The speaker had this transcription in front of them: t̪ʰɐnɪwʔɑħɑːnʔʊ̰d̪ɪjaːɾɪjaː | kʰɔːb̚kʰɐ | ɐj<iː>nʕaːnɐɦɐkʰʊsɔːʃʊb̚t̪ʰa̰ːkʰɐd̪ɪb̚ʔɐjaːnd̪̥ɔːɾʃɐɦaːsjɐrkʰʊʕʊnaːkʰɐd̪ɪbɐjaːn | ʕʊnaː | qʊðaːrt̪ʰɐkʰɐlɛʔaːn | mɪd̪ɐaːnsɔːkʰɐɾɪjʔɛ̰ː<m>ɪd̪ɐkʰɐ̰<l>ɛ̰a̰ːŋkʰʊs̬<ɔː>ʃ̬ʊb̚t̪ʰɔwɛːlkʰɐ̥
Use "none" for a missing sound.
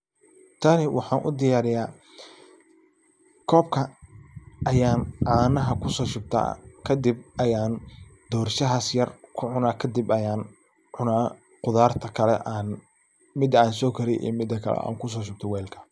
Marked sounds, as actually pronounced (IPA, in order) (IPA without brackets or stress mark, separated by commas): aː, m, l, ɔː